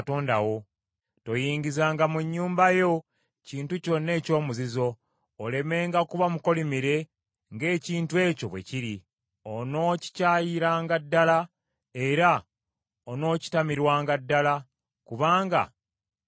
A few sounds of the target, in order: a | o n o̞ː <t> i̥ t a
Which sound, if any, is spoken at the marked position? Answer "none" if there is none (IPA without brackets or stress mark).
c